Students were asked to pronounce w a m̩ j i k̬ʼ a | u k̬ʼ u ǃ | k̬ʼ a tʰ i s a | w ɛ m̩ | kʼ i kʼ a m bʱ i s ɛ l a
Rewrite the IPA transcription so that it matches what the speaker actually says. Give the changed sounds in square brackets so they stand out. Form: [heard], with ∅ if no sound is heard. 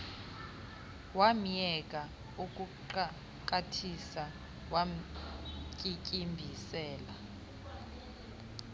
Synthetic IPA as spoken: w a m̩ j [ɛ] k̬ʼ a | u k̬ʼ u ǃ | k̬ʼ a tʰ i s a | w [a] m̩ | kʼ i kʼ [i] m bʱ i s [ɛː] l a